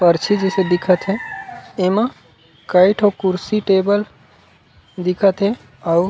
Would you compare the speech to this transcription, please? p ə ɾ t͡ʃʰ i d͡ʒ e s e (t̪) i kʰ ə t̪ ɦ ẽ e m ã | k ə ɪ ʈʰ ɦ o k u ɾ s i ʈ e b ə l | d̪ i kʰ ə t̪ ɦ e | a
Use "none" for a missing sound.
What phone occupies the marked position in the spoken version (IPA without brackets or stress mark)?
d̪